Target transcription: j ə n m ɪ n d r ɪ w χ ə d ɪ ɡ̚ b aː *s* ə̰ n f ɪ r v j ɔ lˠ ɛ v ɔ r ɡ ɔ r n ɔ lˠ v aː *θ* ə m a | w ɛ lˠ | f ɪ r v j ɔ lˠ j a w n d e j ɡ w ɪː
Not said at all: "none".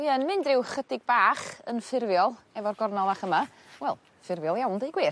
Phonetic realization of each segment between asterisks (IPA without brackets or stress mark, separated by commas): χ, χ